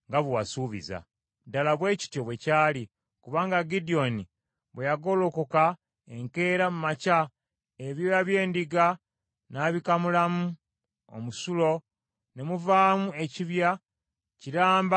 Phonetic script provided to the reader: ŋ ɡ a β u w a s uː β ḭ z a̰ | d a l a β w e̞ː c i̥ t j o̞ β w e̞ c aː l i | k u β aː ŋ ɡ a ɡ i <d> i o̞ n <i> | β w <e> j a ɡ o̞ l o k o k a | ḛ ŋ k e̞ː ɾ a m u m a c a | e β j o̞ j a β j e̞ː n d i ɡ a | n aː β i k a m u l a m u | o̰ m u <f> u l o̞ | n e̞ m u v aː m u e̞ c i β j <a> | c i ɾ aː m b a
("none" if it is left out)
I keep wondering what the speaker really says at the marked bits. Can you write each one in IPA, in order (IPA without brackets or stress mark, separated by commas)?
d, i, e, s, a